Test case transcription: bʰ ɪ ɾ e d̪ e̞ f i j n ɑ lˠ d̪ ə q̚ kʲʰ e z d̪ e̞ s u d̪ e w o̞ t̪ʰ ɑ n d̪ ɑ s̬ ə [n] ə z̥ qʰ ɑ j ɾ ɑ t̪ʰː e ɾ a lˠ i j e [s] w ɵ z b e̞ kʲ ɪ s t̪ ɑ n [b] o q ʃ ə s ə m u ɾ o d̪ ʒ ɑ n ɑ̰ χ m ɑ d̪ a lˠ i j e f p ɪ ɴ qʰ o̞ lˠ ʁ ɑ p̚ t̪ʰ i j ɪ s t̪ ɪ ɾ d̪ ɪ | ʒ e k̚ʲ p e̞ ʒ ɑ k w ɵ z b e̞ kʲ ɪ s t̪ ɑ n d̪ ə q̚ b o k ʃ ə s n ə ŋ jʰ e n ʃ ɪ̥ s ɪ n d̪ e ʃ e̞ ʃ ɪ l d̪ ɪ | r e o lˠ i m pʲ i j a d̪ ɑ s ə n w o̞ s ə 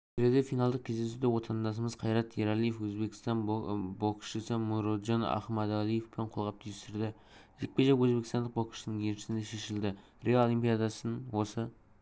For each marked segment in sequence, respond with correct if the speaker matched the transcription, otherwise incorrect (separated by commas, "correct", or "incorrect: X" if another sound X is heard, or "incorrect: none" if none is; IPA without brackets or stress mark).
incorrect: m, incorrect: f, correct